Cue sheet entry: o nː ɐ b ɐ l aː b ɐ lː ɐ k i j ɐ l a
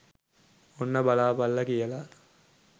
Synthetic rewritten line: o nː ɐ b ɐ l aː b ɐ lː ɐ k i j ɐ l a

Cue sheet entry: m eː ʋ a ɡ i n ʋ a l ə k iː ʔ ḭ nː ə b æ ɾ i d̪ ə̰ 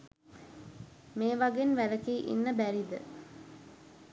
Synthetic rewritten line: m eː ʋ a ɡ e n ʋ æ l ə k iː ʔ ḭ nː ə b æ ɾ i d̪ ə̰

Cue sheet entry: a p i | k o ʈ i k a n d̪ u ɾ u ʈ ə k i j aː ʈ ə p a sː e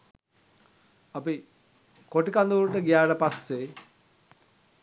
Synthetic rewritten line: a p i | k o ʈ i k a n d̪ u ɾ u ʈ ə ɡ i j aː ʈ ə p a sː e

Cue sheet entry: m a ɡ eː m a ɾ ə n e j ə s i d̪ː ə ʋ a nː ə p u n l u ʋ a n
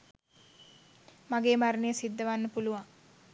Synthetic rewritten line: m a ɡ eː m a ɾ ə n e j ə s i d̪ː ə ʋ a nː ə p u l u ʋ a ŋ

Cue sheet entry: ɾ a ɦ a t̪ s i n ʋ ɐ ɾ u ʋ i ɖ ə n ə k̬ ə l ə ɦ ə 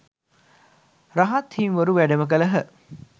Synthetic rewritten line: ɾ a ɦ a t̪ h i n ʋ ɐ ɾ u ʋ æ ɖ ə m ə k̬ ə l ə ɦ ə

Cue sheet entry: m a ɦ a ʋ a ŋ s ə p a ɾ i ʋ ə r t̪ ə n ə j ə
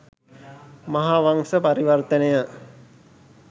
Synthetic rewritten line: m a ɦ a ʋ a ŋ s ə p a ɾ i ʋ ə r t̪ ə n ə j ə

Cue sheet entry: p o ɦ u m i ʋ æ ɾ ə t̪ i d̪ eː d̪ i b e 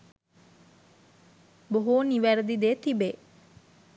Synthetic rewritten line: b o ɦ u n i ʋ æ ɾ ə d̪ i d̪ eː t̪ i b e

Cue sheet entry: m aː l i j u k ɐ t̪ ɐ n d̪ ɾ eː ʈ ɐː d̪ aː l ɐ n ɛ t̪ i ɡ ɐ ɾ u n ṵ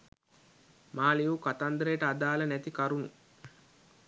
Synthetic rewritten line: m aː l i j u k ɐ t̪ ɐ n d̪ ɾ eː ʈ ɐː d̪ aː l ɐ n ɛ t̪ i k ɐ ɾ u n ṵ

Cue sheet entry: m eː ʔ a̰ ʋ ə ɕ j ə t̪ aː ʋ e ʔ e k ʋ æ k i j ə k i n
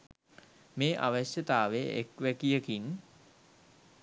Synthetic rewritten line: m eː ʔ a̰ ʋ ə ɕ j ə t̪ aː ʋ e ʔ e k ʋ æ k i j ə k i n

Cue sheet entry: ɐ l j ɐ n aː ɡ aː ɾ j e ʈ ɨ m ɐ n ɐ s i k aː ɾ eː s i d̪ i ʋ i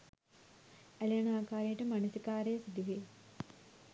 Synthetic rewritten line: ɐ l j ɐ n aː k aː ɾ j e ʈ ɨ m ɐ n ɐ s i k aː ɾ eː s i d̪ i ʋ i

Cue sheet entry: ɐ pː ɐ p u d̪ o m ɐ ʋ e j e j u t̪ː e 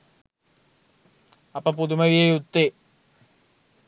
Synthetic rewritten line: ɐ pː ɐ p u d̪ u m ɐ ʋ i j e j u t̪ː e

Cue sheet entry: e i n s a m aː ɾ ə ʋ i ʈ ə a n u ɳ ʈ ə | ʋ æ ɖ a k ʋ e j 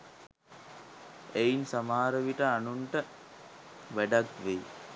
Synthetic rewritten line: e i n s a m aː ɾ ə ʋ i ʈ ə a n u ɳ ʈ ə | ʋ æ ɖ a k ʋ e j

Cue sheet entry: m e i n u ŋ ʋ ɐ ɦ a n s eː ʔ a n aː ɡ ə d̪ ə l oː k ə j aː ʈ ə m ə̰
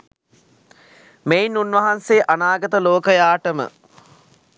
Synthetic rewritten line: m e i n u n ʋ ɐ ɦ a n s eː ʔ a n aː ɡ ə t̪ ə l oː k ə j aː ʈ ə m ə̰

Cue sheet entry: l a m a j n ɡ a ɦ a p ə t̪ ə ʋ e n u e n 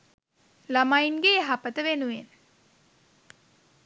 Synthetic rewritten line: l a m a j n ɡ e ɦ a p ə t̪ ə ʋ e n u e n

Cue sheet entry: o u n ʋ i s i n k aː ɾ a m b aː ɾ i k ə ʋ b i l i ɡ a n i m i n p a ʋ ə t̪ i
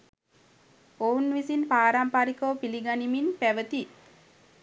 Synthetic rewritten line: o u n ʋ i s i n p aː ɾ a m p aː ɾ i k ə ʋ p i l i ɡ a n i m i n p æ ʋ ə t̪ i

